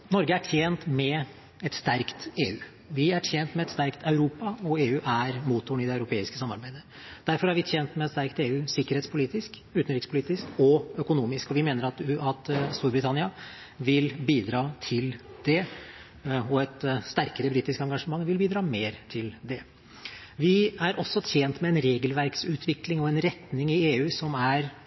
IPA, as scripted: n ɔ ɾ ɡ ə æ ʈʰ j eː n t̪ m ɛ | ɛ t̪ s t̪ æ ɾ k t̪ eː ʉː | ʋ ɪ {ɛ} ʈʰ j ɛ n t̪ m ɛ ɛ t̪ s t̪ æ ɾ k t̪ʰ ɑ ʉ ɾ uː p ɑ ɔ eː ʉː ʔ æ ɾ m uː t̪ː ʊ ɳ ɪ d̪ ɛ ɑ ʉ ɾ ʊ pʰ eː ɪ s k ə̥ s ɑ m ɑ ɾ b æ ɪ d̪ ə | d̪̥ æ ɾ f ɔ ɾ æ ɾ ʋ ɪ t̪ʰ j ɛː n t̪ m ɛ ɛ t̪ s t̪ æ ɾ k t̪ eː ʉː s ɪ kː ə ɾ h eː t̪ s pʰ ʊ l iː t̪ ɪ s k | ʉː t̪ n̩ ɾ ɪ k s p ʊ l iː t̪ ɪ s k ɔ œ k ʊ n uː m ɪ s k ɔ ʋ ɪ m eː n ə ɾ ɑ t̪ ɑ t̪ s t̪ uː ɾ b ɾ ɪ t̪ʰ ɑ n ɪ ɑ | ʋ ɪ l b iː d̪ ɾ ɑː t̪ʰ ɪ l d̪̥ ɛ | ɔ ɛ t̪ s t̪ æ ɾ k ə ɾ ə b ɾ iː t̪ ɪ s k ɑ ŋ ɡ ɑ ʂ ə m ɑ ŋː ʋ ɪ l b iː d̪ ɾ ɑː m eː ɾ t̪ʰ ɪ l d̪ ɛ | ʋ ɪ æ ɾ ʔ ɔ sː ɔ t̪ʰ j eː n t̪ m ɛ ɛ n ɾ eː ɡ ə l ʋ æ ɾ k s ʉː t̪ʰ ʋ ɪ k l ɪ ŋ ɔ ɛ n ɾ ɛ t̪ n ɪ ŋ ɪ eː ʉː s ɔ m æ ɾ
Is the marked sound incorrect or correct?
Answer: incorrect: æ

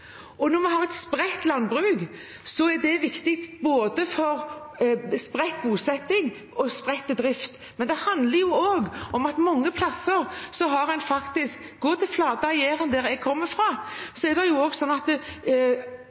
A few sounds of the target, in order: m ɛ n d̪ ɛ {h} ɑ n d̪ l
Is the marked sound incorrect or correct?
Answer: correct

